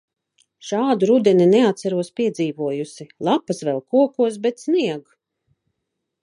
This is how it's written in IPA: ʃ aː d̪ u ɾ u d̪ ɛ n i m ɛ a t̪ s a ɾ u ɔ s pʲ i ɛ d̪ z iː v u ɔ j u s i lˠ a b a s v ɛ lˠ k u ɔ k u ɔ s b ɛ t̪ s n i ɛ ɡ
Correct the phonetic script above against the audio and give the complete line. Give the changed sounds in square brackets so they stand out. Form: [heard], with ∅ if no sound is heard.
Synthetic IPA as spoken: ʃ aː d̪ u ɾ u d̪ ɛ n i [n] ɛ a t̪ s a ɾ u ɔ s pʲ i ɛ d̪ z iː v u ɔ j u s i lˠ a [p] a s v ɛ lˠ k u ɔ k u ɔ s b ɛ t̪ s n i ɛ ɡ

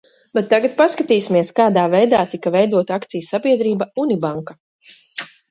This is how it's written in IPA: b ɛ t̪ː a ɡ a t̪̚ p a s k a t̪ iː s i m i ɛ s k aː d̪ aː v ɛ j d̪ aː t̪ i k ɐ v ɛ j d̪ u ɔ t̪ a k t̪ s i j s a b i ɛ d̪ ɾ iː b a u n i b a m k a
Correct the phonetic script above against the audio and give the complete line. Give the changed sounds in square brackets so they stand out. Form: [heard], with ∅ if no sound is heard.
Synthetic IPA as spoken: b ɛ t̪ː a ɡ a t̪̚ p a s k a t̪ iː s i m i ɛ s k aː d̪ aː v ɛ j d̪ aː t̪ i k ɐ v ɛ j d̪ u ɔ t̪ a k t̪ s i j s a b i ɛ d̪ ɾ iː b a u n i b a [ŋ] k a

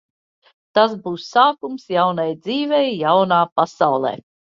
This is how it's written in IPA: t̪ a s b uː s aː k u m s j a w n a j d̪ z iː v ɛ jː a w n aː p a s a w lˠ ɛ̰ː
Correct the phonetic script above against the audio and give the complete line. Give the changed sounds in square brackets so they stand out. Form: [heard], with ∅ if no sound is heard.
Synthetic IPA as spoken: t̪ a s b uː s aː k u m s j a w n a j d̪ z iː v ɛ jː a w n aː p a s a w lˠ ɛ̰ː

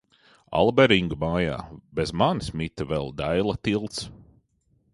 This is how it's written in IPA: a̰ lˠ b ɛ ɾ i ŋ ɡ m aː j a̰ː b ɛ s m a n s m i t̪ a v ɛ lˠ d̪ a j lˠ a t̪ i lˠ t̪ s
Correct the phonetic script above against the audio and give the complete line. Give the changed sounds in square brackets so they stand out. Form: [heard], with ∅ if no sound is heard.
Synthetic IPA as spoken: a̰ lˠ b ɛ ɾ i ŋ ɡ m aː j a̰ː b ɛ [z] m a n s m i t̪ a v ɛ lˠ d̪ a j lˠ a t̪ i lˠ t̪ s

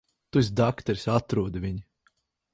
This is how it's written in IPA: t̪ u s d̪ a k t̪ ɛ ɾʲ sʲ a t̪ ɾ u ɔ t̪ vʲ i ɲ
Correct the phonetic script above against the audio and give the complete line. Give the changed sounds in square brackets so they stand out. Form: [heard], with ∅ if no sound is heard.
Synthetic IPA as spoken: t̪ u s d̪ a k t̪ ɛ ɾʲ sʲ a t̪ ɾ u ɔ [d̪] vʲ i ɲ

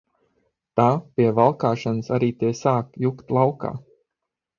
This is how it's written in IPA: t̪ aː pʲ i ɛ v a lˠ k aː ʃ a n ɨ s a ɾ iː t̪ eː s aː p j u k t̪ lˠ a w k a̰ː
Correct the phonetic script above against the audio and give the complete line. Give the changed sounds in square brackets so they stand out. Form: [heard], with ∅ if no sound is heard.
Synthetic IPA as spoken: t̪ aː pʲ i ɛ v a lˠ k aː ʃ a n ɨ s a ɾ iː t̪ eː s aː [k] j u k t̪ lˠ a w k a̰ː

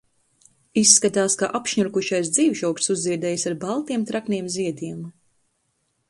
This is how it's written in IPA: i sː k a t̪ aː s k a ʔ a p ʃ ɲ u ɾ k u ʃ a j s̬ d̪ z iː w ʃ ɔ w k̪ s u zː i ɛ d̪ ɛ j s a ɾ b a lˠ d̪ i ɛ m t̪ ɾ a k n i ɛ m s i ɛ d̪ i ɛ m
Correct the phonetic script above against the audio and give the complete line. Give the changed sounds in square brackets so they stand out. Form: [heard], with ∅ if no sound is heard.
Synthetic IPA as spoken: i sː k a t̪ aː s k a ʔ a p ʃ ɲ u ɾ k u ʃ a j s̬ d̪ z iː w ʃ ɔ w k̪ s u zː i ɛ d̪ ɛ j s a ɾ b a lˠ [t̪] i ɛ m t̪ ɾ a k n i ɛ m [z] i ɛ d̪ i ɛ m

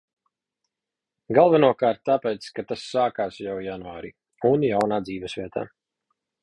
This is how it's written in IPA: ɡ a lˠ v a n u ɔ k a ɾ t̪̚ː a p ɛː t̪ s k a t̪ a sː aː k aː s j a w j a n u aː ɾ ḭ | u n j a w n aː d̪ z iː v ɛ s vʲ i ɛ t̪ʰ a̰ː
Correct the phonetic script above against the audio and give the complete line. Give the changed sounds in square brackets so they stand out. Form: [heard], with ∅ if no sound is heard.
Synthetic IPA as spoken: ɡ a lˠ v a n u ɔ k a ɾ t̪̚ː a p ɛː t̪ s k a t̪ a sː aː k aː s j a w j a n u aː ɾ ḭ | u n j a w n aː d̪ z iː v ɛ s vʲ i ɛ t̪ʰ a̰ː

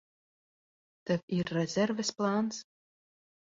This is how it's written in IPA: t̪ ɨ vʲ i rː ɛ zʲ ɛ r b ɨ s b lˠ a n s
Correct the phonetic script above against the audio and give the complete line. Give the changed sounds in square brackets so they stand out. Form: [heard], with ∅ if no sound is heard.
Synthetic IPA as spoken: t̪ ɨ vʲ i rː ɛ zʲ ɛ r [v] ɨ s [p] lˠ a n s

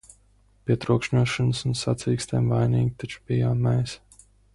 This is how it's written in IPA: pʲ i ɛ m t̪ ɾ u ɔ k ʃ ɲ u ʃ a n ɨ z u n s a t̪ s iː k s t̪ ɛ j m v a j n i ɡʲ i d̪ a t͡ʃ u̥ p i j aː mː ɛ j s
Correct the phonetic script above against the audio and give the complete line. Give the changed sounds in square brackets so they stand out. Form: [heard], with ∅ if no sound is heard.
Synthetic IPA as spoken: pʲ i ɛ [∅] t̪ ɾ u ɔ k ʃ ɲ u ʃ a n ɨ [s] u n s a t̪ s iː k s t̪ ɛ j m v a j n [iː] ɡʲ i [t̪] a t͡ʃ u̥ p i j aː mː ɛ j s

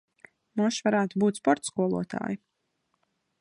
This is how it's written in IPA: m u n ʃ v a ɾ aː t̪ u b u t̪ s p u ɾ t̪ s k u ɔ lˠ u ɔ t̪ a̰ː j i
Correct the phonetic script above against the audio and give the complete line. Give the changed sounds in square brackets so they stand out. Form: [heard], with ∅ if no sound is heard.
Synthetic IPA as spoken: m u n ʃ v a ɾ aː t̪ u b [uː] t̪ s p [ɔ] ɾ t̪ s k u ɔ lˠ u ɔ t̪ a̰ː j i

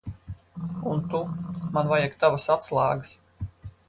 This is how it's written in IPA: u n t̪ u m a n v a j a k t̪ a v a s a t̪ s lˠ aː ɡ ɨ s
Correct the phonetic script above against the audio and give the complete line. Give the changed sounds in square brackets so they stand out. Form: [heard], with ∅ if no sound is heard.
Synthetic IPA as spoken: u n t̪ u m a n v a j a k t̪ a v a s a t̪ s lˠ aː ɡ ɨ s

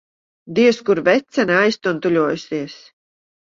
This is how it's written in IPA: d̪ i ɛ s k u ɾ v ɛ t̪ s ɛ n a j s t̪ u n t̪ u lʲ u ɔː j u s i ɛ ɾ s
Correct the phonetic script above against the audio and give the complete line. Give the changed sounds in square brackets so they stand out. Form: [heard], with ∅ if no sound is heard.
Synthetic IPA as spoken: d̪ i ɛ s k u ɾ v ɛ t̪ s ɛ n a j s t̪ u n t̪ u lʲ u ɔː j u s i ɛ [∅] s

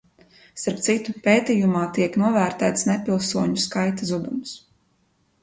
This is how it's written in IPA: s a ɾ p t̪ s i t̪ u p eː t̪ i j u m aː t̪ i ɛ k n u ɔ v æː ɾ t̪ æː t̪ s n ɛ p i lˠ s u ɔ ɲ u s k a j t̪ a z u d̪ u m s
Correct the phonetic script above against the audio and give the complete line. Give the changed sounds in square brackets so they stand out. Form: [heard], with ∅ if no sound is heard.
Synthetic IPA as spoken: s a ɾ p t̪ s i t̪ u p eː t̪ i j u m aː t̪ i ɛ k n u ɔ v æː ɾ t̪ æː t̪ s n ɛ p i lˠ s u ɔ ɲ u s k a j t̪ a z u d̪ u m s

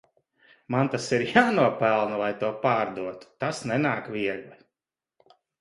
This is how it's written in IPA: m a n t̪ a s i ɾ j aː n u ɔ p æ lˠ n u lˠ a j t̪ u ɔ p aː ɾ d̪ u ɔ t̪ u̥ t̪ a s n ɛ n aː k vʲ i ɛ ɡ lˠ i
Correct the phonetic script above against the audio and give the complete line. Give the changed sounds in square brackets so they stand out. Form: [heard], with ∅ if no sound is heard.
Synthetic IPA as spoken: m a n t̪ a s i ɾ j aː n u ɔ p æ lˠ n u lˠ a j t̪ u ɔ p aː ɾ d̪ u ɔ t̪ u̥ t̪ a s n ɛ n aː k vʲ i ɛ ɡ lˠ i

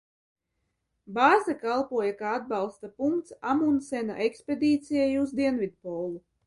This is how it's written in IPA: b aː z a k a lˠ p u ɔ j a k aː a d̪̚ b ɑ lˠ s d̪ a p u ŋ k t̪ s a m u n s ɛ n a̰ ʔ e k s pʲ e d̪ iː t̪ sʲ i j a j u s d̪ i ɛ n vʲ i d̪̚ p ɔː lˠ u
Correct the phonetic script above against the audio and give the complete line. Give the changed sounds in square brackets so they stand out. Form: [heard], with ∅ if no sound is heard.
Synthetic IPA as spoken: b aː z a k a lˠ p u ɔ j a k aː a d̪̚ b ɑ lˠ s [t̪] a p u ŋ k t̪ s a m u n s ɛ n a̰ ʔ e k s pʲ e d̪ iː t̪ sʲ i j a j u [z] d̪ i ɛ n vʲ i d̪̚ p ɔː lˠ u

